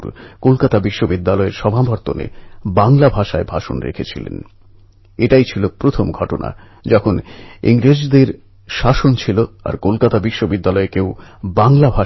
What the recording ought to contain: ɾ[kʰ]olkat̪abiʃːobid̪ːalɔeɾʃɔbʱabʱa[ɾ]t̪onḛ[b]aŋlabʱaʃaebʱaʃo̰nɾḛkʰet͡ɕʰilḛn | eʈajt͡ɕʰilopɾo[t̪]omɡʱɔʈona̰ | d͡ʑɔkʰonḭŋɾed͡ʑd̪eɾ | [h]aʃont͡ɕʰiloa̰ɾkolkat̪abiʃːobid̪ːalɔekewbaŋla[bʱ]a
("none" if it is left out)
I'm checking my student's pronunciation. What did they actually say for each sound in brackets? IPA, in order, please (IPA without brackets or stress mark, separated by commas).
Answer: k, ɾ, b, t̪ʰ, ʃ, bʱ